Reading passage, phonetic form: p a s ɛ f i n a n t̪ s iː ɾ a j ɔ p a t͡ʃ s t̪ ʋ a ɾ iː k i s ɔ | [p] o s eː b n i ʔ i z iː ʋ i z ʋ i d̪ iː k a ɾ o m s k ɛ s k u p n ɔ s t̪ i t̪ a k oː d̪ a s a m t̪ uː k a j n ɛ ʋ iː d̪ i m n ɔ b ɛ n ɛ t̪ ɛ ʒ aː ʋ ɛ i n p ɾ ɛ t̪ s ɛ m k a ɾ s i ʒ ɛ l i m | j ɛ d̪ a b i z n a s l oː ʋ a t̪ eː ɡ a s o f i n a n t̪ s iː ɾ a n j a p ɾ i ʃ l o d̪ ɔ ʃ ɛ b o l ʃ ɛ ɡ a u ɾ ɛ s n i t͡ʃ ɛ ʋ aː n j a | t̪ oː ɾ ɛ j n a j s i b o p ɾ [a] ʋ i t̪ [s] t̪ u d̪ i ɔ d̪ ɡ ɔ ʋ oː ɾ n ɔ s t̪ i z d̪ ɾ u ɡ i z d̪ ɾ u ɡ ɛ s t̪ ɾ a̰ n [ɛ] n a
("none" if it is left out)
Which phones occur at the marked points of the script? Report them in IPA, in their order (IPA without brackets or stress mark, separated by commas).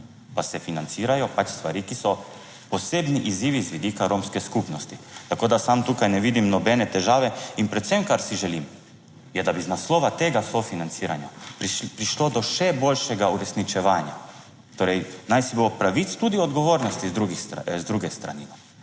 p, a, s, i